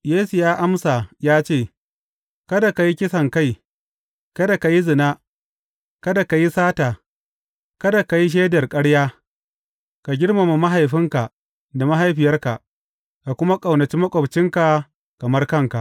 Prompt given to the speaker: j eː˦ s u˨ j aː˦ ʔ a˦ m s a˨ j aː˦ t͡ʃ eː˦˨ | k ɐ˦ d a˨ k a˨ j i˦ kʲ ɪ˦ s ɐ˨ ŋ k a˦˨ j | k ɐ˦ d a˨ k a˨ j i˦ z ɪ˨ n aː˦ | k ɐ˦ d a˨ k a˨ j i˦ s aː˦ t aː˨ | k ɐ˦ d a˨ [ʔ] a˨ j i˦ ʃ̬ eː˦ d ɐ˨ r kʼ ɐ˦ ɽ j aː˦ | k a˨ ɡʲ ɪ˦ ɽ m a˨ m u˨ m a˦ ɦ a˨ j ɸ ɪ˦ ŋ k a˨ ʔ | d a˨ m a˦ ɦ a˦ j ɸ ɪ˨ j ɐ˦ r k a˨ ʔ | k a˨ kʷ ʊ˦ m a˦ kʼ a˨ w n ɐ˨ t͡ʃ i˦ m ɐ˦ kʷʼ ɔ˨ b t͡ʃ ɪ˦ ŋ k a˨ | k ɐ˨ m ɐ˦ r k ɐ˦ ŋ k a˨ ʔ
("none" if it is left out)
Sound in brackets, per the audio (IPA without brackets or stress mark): k